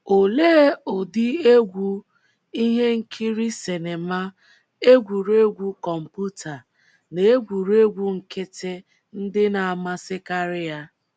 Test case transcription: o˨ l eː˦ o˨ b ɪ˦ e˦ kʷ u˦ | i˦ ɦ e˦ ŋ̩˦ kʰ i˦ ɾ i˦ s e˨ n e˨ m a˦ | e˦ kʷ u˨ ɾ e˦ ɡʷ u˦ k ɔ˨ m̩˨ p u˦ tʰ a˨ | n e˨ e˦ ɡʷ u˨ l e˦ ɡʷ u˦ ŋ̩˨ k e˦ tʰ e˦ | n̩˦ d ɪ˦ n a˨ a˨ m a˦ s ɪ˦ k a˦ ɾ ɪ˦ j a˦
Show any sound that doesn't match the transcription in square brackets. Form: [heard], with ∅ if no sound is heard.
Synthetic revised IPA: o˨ l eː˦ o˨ [d] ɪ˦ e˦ [ɡʷ] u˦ | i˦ ɦ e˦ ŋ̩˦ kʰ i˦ ɾ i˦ s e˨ n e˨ m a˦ | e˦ [ɡʷ] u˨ ɾ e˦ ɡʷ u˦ k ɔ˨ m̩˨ p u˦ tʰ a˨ | n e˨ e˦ ɡʷ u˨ [ɾ] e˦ ɡʷ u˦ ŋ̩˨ k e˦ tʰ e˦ | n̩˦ d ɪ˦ n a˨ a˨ m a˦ s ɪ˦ k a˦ ɾ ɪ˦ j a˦

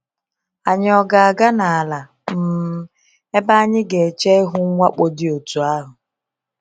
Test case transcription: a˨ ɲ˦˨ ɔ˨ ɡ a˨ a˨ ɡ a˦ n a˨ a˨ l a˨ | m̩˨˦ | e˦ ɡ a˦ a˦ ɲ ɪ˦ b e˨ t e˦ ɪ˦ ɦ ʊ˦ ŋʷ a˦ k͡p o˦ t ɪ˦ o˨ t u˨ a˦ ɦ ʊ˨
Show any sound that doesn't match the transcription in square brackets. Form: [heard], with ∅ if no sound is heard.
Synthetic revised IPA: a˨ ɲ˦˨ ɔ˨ ɡ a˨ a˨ ɡ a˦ n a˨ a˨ l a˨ | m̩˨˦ | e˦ [b] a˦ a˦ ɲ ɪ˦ [ɡ] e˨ [t͡ʃ] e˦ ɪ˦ ɦ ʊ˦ ŋʷ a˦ k͡p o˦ [d] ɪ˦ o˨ t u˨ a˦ ɦ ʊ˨

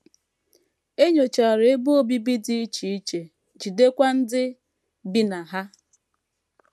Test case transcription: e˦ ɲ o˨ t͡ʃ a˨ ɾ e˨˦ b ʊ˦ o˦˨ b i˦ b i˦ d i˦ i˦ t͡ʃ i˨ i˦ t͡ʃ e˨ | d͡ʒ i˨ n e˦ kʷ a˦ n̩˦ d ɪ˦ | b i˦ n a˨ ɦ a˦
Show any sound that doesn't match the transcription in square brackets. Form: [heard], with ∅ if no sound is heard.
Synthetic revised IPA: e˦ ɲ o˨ t͡ʃ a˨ ɾ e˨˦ b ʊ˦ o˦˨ b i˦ b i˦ d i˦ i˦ t͡ʃ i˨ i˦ t͡ʃ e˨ | d͡ʒ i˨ [d] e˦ kʷ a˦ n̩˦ d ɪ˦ | b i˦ n a˨ ɦ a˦

